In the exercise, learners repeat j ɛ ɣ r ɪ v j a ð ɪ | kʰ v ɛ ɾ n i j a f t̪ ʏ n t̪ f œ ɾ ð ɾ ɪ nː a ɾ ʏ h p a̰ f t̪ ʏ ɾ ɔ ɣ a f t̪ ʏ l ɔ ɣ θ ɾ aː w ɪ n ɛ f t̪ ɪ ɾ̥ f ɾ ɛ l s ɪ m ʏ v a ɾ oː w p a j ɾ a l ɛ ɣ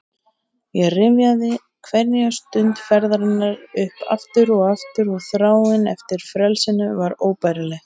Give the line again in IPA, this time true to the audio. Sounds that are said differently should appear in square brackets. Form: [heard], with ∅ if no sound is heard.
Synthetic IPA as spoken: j ɛ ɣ r ɪ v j a ð ɪ | kʰ v ɛ ɾ n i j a [s] t̪ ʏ n t̪ f [ɛ] ɾ ð ɾ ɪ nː a ɾ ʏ h p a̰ f t̪ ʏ ɾ ɔ ɣ a f t̪ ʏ [ɾ] ɔ ɣ θ ɾ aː w ɪ n ɛ f t̪ ɪ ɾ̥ f ɾ ɛ l s ɪ [n] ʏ v a ɾ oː w p a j ɾ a l ɛ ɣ